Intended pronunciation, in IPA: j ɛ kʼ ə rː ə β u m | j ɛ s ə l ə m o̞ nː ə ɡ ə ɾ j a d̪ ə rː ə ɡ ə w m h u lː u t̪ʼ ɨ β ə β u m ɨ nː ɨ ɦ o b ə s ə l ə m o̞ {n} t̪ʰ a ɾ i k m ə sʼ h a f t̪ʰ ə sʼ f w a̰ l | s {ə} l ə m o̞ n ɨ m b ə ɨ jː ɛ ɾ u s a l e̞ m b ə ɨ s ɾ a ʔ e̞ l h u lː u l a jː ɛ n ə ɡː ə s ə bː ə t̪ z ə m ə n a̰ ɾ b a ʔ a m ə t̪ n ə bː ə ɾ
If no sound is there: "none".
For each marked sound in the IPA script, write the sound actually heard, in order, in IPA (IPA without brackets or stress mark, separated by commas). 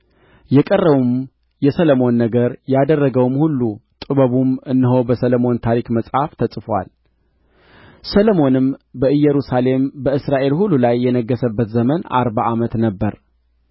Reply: n, ə